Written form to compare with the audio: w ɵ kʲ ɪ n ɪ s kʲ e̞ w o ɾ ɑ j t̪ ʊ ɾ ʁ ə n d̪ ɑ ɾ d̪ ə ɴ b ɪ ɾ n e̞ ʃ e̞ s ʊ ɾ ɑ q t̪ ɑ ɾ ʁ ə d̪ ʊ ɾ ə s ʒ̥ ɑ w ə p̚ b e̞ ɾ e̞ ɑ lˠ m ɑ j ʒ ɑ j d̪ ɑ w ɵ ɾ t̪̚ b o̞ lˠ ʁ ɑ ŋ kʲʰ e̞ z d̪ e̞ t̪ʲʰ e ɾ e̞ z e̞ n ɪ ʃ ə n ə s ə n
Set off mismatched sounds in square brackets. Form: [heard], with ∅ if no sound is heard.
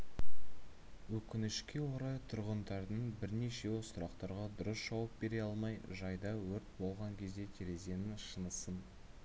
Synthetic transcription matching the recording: w ɵ kʲ ɪ n ɪ [ʃ] kʲ e̞ w o ɾ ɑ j [t̪ʰ] ʊ ɾ ʁ ə n d̪ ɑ ɾ d̪ ə ɴ b ɪ ɾ n e̞ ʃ e̞ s ʊ ɾ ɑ q t̪ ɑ ɾ ʁ [ɑ] d̪ ʊ ɾ ə s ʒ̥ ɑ w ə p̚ b e̞ ɾ e̞ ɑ lˠ m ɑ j ʒ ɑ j d̪ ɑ w ɵ ɾ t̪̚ b o̞ lˠ ʁ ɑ ŋ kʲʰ e̞ z d̪ e̞ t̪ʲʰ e ɾ e̞ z e̞ n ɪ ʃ ə n ə s ə n